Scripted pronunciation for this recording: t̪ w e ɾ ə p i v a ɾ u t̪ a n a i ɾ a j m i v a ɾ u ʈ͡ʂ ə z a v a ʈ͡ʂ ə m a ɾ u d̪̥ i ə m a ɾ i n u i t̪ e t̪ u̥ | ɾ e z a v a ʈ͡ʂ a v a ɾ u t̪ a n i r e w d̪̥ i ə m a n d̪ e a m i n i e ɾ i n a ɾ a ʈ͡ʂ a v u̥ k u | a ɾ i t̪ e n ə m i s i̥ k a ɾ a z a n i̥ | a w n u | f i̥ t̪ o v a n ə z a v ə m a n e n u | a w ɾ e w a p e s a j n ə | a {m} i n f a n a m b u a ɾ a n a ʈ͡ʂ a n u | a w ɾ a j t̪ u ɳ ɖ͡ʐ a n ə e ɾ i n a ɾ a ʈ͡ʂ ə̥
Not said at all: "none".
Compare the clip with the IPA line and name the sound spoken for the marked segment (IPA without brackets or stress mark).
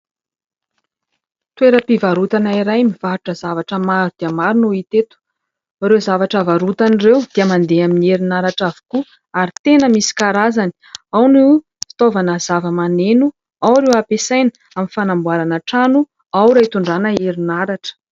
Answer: m